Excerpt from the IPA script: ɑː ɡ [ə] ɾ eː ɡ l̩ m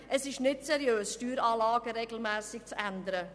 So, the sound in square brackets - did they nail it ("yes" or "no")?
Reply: yes